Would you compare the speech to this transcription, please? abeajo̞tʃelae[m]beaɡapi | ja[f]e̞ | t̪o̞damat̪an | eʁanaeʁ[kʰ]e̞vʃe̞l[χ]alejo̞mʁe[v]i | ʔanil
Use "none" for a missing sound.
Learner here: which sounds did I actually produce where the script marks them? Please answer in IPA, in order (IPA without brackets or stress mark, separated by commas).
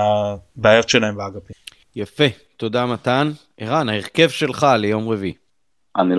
m, f, k, χ, v